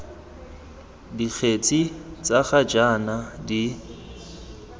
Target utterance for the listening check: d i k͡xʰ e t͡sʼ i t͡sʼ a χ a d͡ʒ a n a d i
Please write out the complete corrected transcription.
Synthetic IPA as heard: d i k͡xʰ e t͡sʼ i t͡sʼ a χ a d͡ʒ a n a d i